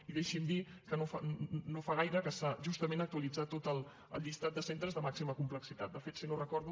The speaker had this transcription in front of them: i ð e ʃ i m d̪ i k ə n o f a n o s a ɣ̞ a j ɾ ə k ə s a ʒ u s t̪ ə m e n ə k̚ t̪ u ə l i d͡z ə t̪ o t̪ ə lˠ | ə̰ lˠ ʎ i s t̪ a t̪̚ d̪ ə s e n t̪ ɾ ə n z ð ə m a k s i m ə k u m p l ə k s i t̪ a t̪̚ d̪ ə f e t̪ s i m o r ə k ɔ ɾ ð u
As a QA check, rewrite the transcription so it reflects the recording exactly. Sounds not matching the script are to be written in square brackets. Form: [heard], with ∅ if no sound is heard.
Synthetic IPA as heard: i ð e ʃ i m d̪ i k ə n o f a n o [f] a ɣ̞ a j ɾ ə k ə s a ʒ u s t̪ ə m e n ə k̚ t̪ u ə l i d͡z [a] t̪ o t̪ ə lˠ | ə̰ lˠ ʎ i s t̪ a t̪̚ d̪ ə s e n t̪ ɾ ə [∅] z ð ə m a k s i m ə k u m p l ə k s i t̪ a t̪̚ d̪ ə f e t̪ s i [n] o r ə k ɔ ɾ ð u

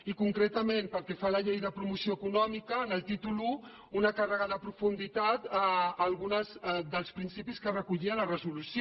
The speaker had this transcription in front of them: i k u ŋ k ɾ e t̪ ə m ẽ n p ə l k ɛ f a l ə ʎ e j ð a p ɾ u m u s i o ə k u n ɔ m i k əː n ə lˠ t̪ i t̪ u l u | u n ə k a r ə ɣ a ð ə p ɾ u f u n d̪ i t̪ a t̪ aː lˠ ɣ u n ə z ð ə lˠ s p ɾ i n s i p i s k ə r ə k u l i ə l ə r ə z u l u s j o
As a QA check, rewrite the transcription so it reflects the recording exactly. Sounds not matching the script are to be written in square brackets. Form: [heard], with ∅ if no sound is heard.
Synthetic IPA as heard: i k u ŋ k ɾ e t̪ ə m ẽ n p ə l k ɛ f a l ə ʎ e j ð [ə] p ɾ u m u s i o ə k u n ɔ m i k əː n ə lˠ t̪ i t̪ u l u | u n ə k a r ə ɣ a ð ə p ɾ u f u n d̪ i t̪ a t̪ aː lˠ ɣ u n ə z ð ə lˠ s p ɾ i n s i p i s k ə r ə k u [ʎ] i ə l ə r ə z u l u s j o

